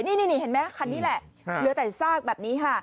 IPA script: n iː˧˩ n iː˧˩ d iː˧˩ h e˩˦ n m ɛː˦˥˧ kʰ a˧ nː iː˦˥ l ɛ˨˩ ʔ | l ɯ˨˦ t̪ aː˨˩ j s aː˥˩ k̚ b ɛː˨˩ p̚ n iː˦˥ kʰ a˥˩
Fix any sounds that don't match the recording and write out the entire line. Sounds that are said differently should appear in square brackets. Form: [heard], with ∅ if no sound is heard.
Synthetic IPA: n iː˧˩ n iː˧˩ [n] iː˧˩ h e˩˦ n m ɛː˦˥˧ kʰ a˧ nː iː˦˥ l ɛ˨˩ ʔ | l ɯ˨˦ t̪ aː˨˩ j s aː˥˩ k̚ b ɛː˨˩ p̚ n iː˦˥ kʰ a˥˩